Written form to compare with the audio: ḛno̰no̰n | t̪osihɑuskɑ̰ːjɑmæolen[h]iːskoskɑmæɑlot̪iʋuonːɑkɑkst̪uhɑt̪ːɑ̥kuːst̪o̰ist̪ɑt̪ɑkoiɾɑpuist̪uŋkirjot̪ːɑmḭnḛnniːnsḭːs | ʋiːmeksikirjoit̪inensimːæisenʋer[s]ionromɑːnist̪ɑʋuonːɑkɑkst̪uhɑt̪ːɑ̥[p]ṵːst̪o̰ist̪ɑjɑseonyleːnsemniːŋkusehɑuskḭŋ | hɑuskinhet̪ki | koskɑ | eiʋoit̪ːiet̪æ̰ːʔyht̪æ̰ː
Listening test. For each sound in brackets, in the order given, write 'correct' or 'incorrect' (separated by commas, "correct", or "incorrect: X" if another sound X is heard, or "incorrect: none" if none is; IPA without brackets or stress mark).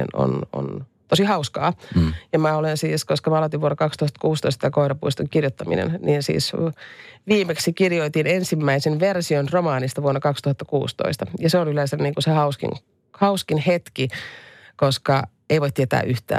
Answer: incorrect: s, correct, incorrect: k